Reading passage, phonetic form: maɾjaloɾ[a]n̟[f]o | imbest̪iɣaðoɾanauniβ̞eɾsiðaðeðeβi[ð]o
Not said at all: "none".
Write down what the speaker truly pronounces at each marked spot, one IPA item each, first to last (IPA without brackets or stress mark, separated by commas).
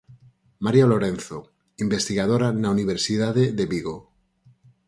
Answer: e, θ, ɣ